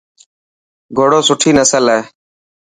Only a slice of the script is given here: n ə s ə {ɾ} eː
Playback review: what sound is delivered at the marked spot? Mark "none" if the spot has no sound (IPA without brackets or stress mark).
l